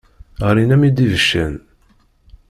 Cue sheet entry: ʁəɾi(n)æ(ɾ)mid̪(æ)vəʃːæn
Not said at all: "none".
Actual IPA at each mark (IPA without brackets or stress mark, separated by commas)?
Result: n, none, i